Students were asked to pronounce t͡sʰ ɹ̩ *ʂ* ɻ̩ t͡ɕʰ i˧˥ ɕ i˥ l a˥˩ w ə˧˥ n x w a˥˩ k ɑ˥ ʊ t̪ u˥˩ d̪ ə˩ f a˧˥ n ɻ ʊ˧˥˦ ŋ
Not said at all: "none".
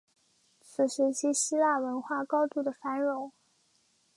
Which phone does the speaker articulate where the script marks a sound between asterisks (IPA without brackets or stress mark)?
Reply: ʂ